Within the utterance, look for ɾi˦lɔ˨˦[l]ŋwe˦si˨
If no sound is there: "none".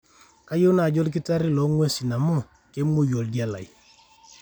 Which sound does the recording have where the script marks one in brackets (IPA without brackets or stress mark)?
none